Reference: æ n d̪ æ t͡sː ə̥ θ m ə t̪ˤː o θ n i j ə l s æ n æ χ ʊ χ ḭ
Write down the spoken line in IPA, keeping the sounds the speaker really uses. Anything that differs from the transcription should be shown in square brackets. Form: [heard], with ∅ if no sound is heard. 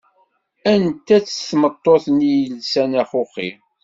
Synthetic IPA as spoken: æ n [t̪] æ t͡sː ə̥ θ m ə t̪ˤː o θ n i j ə l s æ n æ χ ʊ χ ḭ